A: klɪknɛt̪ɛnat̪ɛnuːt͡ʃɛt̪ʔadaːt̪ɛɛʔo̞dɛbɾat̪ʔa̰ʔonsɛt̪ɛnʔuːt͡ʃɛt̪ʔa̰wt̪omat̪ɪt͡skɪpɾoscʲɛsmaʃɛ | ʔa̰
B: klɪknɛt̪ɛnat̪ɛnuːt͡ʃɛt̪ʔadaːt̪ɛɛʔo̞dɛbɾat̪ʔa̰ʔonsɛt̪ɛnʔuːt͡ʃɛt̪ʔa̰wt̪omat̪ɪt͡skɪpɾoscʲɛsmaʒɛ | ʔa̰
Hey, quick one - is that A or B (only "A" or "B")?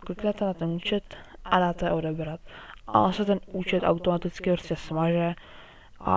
B